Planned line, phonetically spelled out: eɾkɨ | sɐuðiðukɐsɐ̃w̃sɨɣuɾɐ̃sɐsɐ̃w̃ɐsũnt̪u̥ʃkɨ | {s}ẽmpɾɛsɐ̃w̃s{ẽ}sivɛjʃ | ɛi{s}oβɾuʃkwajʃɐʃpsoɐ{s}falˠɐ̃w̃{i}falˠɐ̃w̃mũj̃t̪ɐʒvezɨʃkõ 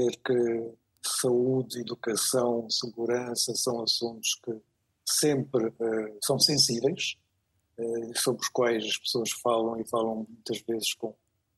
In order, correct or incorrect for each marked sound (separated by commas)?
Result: correct, correct, correct, incorrect, correct